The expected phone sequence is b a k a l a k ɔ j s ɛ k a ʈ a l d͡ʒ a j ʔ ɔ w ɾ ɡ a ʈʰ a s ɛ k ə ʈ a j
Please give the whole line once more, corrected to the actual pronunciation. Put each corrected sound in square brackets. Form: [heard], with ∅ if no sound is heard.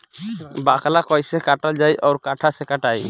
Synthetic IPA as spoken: b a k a l a k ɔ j s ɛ k a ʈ a l d͡ʒ a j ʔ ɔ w ɾ [k] a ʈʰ a s ɛ k [a] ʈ a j